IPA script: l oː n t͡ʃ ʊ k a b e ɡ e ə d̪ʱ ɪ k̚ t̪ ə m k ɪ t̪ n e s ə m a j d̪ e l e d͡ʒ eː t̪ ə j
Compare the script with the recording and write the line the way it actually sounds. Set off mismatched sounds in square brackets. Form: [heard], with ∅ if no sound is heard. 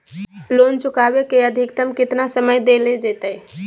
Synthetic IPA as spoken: l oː n t͡ʃ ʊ k a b e [k] e ə d̪ʱ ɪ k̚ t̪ ə m k ɪ t̪ n [a] s ə m [ə] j d̪ e l e d͡ʒ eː t̪ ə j